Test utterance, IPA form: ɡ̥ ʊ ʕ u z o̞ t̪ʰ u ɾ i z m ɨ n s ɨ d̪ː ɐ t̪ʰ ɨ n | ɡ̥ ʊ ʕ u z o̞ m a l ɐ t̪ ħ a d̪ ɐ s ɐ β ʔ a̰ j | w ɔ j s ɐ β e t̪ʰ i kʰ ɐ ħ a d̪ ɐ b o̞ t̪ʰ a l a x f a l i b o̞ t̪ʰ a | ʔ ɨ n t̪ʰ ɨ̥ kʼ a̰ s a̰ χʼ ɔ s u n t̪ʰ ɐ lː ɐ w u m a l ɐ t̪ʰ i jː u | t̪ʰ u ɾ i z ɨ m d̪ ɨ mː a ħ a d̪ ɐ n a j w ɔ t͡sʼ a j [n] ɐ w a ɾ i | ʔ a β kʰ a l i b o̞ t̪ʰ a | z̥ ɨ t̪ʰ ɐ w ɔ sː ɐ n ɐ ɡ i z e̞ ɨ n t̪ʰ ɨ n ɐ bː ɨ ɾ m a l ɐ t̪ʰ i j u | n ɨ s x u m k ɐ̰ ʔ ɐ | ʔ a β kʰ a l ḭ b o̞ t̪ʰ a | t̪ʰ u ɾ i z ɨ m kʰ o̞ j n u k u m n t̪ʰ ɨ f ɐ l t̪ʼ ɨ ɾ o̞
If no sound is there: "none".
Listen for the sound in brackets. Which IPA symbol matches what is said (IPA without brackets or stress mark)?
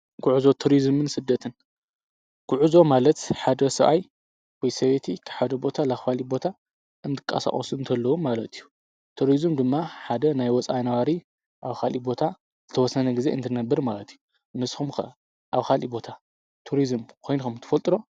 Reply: n